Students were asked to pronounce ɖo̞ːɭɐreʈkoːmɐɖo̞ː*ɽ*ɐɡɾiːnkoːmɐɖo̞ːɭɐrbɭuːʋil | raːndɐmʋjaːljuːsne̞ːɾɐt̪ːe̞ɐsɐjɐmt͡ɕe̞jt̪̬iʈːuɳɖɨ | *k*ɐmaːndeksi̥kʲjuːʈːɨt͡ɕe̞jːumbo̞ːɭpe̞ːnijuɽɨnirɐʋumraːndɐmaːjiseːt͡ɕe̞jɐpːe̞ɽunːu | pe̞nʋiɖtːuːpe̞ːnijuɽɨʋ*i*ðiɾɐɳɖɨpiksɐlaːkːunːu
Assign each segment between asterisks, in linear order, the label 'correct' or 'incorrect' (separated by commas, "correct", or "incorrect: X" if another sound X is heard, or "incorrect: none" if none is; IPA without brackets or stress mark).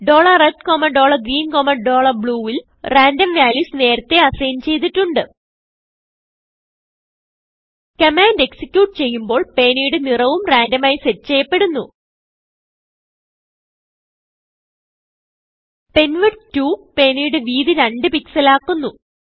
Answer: incorrect: ɭ, correct, incorrect: iː